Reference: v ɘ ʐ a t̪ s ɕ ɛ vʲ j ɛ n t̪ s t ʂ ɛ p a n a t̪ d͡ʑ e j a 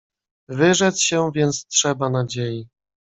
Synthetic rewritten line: v ɘ ʐ ɛ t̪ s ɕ ɛ vʲ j ɛ n t̪ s t ʂ ɛ b a n a d͡ʑ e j i